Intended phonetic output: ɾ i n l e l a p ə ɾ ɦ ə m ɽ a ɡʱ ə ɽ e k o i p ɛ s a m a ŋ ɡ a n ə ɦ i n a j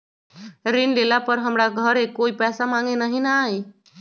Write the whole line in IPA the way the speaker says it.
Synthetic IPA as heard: ɾ i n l e l a p ə ɾ ɦ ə m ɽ a ɡʱ ə ɾ e k o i p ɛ s a m a ŋ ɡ e n a ɦ i n a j